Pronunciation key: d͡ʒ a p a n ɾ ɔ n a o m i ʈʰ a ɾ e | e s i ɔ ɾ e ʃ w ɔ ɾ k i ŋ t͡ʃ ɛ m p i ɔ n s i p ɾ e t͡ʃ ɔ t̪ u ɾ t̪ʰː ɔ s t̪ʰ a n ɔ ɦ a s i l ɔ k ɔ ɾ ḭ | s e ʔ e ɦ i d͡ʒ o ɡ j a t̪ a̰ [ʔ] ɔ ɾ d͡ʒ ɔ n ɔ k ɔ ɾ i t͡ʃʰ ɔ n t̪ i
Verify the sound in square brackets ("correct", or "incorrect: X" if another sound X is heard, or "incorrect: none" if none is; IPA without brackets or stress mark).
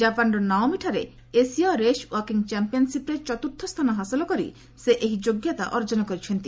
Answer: correct